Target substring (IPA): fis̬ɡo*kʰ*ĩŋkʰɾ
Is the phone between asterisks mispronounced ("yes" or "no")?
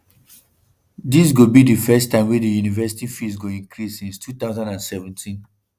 yes